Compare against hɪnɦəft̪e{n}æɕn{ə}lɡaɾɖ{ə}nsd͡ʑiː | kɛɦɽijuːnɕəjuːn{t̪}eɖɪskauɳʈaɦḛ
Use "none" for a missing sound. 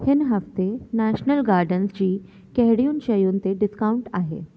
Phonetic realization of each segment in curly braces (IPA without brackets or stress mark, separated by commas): n, ə, ə, t̪